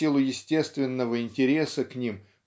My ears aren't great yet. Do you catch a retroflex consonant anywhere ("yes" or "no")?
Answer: no